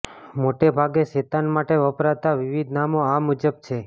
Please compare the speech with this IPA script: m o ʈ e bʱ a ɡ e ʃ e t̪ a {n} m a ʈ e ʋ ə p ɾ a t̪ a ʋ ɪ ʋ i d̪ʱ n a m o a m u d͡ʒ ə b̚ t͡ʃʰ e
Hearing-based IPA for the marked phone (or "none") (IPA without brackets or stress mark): n